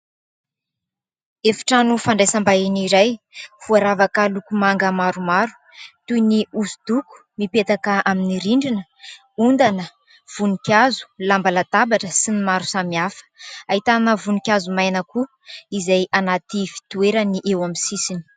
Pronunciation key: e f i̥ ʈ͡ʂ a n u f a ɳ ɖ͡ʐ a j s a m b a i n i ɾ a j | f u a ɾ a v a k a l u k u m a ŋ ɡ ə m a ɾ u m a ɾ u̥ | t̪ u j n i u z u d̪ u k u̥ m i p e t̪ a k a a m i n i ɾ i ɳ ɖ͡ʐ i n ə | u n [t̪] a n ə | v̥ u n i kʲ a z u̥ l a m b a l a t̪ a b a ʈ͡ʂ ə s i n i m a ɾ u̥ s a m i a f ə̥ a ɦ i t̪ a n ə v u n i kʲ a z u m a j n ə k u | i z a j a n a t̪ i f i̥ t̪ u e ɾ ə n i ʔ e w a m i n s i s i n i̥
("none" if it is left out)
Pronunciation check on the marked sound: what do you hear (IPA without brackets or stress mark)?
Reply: d̪